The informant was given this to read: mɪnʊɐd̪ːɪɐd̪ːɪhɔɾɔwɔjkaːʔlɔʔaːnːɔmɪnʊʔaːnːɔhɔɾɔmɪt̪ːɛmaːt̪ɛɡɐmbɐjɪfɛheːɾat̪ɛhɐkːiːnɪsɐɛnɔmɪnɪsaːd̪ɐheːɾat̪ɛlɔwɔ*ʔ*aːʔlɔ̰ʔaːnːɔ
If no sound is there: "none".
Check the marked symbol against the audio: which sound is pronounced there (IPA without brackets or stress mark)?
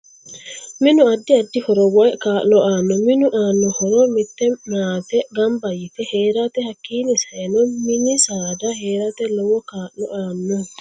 k